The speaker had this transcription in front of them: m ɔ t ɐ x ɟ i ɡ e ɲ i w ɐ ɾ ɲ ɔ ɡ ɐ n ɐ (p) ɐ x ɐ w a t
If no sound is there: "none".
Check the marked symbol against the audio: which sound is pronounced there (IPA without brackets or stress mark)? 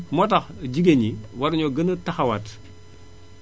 t